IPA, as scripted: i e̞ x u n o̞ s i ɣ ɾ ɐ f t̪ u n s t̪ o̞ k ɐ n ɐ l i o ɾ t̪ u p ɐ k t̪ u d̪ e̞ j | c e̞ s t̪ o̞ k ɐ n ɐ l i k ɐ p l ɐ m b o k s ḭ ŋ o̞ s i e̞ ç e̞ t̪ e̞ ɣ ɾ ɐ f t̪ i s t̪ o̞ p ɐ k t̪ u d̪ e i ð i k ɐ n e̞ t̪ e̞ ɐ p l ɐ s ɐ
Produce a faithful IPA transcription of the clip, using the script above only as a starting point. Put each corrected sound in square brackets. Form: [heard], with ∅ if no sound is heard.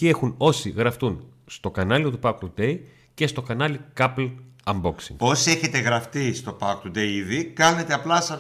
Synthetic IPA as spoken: i e̞ x u n o̞ s i ɣ ɾ ɐ f t̪ u n s t̪ o̞ k ɐ n ɐ l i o [∅] t̪ u p ɐ k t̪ u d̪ e̞ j | c e̞ s t̪ o̞ k ɐ n ɐ l i k ɐ p l ɐ m b o k s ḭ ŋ o̞ s i e̞ ç e̞ t̪ e̞ ɣ ɾ ɐ f t̪ i s t̪ o̞ p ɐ k t̪ u d̪ e i ð i k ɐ n e̞ t̪ e̞ ɐ p l ɐ s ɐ